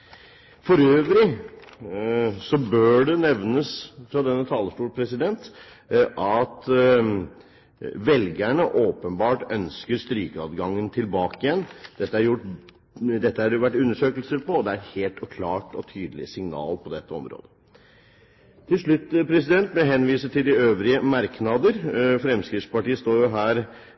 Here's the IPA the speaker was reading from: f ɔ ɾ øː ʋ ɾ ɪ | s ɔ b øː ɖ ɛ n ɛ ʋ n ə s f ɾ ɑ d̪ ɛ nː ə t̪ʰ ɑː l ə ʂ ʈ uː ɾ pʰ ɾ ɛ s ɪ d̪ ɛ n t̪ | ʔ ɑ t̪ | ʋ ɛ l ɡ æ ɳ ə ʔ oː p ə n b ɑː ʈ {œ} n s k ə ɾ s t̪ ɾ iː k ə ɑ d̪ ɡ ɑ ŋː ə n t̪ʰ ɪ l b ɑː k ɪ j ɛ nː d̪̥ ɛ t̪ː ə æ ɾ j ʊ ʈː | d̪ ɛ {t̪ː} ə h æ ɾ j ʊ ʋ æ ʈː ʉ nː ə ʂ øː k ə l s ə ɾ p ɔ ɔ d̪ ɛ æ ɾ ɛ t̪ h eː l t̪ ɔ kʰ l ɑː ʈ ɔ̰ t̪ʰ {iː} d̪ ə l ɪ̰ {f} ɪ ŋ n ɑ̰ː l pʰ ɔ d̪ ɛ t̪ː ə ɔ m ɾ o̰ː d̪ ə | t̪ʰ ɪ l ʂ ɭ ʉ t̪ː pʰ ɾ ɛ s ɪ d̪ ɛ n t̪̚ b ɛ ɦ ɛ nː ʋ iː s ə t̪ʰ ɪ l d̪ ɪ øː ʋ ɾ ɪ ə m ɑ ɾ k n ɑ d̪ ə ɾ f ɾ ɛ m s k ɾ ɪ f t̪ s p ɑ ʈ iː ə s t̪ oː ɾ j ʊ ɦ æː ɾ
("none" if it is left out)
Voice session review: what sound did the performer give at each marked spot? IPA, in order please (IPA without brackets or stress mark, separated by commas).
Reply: œ, t̪ː, yː, s